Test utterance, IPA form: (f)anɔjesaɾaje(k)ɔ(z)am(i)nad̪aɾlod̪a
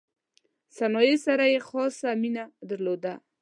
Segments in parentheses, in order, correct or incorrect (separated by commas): incorrect, incorrect, incorrect, correct